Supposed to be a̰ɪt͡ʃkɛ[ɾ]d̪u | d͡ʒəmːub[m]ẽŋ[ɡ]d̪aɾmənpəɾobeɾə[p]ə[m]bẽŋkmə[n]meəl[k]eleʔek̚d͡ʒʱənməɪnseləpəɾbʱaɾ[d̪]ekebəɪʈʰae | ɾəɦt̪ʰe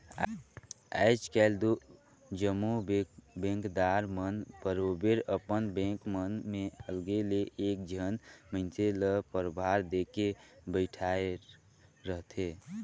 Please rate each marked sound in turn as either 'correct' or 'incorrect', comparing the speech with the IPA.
incorrect: l, incorrect: b, incorrect: k, correct, incorrect: n, correct, incorrect: ɡ, correct

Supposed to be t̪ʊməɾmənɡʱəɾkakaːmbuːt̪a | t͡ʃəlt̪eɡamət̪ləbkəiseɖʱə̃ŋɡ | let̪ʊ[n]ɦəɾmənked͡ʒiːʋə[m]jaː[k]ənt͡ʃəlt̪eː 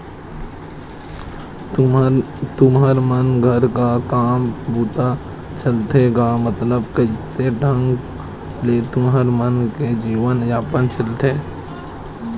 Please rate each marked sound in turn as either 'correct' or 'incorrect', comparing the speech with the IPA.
incorrect: m, incorrect: n, incorrect: p

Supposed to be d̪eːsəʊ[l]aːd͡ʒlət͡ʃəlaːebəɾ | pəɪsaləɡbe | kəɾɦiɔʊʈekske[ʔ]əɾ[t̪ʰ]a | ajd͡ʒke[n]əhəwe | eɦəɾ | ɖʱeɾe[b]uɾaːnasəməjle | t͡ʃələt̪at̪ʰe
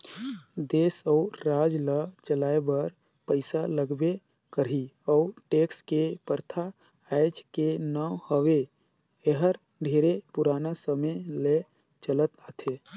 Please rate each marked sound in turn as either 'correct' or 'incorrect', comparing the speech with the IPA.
incorrect: ɾ, incorrect: p, correct, correct, incorrect: p

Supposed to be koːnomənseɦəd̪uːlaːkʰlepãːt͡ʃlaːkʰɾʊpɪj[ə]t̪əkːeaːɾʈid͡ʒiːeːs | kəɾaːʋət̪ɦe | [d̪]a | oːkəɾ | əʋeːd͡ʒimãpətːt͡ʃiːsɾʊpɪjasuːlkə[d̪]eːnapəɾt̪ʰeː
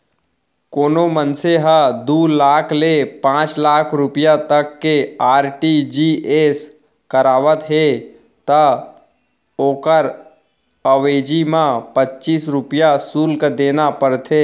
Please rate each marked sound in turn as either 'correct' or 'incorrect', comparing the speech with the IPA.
incorrect: a, incorrect: t̪, correct

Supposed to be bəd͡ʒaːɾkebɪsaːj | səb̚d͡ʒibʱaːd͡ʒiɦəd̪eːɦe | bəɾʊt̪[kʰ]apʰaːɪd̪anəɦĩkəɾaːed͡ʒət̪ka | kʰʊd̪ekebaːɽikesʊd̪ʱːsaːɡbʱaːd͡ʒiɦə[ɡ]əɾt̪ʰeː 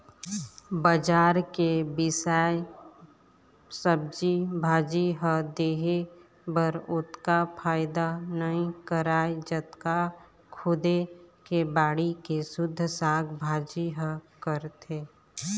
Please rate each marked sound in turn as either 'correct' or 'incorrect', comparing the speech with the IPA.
incorrect: k, incorrect: k

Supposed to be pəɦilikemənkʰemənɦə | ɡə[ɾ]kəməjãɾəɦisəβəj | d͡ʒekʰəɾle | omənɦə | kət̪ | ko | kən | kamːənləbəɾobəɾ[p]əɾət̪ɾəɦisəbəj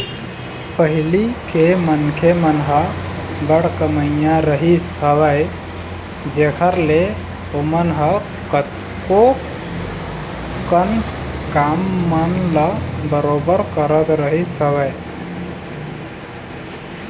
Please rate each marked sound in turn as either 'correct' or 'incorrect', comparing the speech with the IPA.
incorrect: ɽ, incorrect: k

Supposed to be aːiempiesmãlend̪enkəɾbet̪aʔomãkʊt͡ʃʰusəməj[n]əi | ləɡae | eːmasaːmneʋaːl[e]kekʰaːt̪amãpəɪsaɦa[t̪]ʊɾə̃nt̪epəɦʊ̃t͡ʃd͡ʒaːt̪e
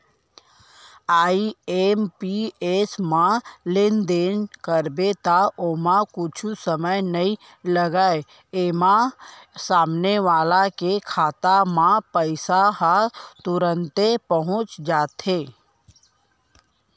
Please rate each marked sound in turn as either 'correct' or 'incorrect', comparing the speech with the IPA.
correct, incorrect: a, correct

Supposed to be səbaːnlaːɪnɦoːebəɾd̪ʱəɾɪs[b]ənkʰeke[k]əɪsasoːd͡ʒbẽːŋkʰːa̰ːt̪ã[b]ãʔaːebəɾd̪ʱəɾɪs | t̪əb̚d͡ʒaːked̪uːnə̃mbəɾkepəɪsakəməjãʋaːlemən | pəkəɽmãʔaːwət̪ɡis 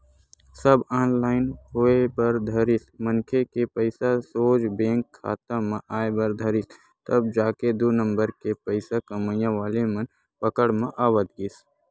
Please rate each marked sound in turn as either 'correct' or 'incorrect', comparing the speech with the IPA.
incorrect: m, incorrect: p, incorrect: m

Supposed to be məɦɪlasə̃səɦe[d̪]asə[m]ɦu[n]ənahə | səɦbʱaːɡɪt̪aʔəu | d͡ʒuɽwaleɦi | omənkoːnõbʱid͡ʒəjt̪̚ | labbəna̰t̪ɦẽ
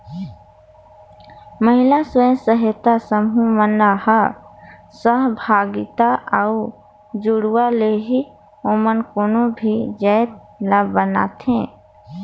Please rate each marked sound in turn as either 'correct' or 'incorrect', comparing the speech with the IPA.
incorrect: t̪, correct, incorrect: m

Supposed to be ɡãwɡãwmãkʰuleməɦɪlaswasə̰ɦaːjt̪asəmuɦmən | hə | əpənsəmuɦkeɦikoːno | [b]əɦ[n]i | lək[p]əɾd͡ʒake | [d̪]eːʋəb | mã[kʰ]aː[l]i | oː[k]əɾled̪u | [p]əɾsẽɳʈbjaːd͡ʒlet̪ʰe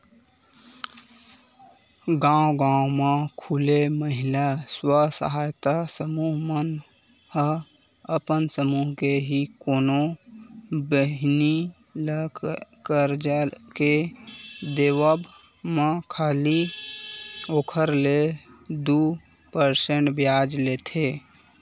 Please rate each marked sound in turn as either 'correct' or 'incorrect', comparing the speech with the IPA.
correct, correct, incorrect: k, correct, correct, correct, incorrect: kʰ, correct

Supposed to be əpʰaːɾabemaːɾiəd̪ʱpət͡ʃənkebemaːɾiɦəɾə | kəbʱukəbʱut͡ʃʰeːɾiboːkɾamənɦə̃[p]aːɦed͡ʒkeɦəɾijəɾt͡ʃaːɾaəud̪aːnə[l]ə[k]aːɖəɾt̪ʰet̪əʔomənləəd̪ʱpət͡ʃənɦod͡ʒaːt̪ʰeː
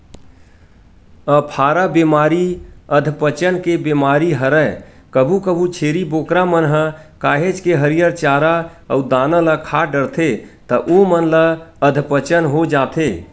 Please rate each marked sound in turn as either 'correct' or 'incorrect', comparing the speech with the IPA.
incorrect: k, correct, incorrect: kʰ

